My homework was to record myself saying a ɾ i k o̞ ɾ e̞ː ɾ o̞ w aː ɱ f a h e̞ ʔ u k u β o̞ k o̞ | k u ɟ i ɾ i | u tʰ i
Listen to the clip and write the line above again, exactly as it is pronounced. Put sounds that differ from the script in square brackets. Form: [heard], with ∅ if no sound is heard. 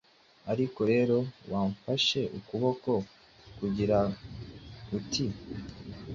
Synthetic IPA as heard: a ɾ i k o̞ ɾ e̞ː ɾ o̞ w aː ɱ f a [ʃ] e̞ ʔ u k u β o̞ k o̞ | k u ɟ i ɾ [a] | u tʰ i